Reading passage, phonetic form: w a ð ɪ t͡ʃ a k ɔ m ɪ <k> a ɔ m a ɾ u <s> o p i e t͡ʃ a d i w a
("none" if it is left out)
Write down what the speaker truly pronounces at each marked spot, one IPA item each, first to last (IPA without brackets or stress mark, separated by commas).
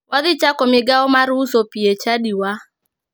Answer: ɡ, s